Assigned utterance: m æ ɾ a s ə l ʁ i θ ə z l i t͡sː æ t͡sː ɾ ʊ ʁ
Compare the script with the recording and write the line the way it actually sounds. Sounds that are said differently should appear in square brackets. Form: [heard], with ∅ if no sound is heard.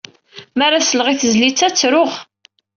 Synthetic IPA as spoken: m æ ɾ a s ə l ʁ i θ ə z l i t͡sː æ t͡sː ɾ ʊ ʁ